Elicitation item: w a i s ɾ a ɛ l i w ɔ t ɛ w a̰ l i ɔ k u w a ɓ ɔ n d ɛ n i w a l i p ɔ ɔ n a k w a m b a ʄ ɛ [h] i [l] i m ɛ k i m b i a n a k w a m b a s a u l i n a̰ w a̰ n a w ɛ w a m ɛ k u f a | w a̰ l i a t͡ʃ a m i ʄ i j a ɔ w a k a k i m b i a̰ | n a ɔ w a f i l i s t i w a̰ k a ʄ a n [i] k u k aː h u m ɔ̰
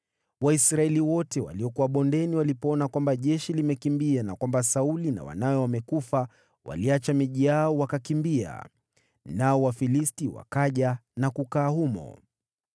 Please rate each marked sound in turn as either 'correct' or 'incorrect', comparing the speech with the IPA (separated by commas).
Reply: incorrect, correct, incorrect